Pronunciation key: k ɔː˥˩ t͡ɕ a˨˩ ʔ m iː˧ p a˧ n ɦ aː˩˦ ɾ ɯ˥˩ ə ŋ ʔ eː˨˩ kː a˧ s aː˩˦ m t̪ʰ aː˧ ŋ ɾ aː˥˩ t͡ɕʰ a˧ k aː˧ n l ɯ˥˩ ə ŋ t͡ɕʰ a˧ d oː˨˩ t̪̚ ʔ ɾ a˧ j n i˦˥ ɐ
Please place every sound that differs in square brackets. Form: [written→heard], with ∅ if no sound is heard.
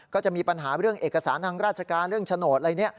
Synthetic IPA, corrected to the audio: k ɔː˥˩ t͡ɕ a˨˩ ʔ m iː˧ p a˧ n ɦ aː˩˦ ɾ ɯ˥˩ ə ŋ ʔ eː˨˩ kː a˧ s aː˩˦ [m→n] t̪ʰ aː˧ ŋ ɾ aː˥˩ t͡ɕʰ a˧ k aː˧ n [l→ɾ] ɯ˥˩ ə ŋ t͡ɕʰ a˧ [d→n] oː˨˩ t̪̚ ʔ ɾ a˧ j n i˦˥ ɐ